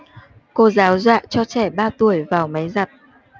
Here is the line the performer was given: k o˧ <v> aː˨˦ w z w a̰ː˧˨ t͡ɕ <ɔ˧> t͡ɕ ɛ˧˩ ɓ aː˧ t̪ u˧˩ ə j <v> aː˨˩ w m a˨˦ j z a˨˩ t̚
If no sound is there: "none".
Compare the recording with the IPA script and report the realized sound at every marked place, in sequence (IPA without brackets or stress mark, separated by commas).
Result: z, ɔ˧, v